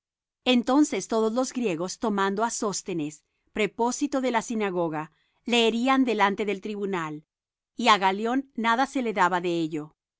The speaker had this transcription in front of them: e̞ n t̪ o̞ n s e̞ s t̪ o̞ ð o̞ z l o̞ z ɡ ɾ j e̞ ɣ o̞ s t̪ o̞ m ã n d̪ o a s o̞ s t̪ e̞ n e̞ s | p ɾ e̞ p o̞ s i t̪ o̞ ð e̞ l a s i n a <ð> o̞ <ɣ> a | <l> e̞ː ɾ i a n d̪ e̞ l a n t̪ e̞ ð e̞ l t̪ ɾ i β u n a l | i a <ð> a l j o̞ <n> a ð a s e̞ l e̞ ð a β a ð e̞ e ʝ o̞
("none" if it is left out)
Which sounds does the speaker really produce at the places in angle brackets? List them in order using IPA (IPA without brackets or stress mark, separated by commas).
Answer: ɣ, ɣ, l, ɣ, nː